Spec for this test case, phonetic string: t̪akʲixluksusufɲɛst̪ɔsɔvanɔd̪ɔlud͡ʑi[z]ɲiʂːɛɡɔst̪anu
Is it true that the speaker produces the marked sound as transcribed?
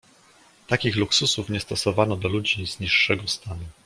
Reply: yes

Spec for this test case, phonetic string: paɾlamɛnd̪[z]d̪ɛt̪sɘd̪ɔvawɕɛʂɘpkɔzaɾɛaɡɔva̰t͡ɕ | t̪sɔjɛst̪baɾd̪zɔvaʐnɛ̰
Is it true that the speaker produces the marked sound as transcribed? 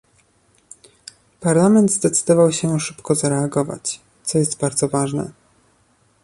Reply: yes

